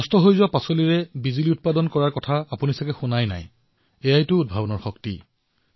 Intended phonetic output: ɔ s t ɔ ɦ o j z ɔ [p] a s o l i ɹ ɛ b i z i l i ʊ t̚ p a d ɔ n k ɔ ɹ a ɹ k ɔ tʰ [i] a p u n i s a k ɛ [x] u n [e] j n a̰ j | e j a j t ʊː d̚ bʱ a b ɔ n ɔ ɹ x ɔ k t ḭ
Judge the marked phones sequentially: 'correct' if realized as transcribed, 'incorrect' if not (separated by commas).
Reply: correct, incorrect, correct, incorrect